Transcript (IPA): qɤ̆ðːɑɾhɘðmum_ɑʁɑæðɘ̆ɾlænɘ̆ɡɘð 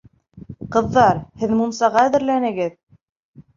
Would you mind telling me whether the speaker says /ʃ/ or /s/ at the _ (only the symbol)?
s